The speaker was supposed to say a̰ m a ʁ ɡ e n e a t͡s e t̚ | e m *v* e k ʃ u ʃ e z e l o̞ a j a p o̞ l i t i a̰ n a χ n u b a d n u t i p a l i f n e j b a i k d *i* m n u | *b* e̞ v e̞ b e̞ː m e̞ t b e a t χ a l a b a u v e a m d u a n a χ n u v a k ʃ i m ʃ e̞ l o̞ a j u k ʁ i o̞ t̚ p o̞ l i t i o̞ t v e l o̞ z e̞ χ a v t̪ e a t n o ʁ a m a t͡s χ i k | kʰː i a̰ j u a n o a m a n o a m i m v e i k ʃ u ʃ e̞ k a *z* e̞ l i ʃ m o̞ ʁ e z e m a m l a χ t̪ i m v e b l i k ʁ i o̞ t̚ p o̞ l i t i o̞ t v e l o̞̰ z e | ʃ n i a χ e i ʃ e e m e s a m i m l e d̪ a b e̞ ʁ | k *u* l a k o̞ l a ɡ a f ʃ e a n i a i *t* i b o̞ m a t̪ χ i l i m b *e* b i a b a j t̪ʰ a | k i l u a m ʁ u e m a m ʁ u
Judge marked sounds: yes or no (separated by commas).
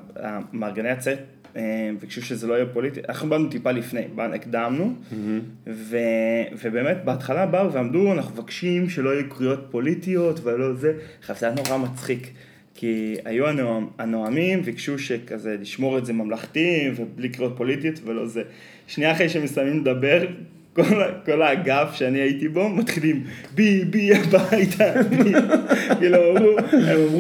yes, no, no, yes, no, yes, no